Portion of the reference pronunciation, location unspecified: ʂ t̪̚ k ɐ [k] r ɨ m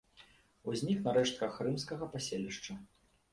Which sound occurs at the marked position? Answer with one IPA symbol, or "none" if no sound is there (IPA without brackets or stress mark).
x